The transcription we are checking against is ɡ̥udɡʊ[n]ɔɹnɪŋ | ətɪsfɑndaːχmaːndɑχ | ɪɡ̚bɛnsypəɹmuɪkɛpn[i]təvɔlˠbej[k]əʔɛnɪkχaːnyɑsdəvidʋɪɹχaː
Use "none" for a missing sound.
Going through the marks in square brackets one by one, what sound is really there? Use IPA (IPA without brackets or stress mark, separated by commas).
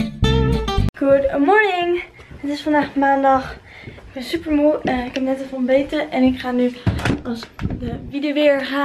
m, ɛ, t